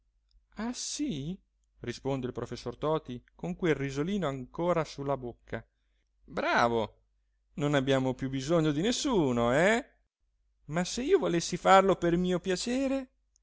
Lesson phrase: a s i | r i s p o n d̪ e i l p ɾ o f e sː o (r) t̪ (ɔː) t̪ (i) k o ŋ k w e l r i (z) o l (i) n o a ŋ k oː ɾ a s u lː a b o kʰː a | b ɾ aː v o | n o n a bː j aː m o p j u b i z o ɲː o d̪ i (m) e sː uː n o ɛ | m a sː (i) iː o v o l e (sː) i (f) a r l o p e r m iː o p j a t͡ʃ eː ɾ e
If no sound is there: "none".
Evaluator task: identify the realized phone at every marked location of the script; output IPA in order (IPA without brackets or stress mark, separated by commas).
r, ɔː, i, z, iː, n, e, sː, f